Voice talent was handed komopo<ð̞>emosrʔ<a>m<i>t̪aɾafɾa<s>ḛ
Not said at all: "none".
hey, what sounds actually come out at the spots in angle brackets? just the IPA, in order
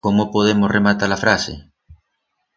ð̞, e, a, s

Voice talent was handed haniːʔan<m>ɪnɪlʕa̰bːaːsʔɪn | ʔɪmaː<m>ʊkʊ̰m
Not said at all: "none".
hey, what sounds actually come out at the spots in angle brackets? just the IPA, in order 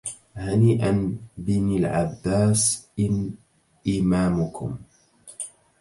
b, m

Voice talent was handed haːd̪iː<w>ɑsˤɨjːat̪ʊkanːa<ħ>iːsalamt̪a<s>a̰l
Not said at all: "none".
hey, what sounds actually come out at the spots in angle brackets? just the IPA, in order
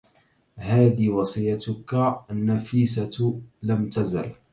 w, f, z

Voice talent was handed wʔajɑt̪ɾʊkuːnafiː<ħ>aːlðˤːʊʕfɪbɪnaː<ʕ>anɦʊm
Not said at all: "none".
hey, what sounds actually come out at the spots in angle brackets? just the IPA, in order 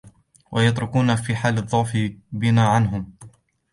ħ, ʕ

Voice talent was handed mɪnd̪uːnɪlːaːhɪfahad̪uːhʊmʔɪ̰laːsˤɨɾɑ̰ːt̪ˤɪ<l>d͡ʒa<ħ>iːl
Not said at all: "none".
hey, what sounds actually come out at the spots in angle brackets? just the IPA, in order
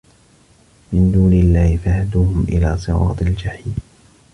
l, ħ

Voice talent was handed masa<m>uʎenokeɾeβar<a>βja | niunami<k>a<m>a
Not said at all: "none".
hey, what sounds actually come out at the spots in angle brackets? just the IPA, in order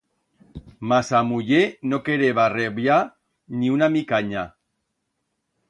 m, e, k, ɲ

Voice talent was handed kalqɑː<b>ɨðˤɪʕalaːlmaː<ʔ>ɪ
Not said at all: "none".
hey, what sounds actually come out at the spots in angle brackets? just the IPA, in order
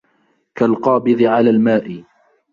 b, ʔ

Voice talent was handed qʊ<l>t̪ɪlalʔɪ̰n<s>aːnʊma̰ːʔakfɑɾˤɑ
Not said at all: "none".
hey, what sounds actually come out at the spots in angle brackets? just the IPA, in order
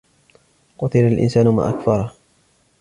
none, s

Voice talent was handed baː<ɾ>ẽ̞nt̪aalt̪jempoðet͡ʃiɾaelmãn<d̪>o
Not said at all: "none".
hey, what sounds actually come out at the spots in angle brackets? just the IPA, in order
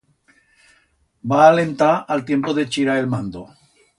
l, d̪

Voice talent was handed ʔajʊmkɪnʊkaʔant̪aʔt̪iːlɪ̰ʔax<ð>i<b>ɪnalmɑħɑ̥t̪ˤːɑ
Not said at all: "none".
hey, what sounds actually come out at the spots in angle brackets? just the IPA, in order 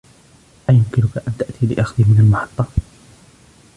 ð, m

